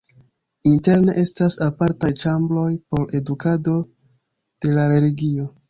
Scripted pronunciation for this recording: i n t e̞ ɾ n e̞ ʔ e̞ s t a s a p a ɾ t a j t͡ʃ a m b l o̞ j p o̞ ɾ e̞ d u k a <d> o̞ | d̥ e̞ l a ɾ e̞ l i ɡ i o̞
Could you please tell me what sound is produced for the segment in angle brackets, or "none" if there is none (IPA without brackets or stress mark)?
d